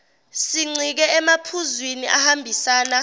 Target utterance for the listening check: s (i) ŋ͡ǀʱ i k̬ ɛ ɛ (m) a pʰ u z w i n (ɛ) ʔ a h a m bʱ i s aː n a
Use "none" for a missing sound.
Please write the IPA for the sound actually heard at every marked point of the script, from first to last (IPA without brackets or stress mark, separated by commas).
i, m, i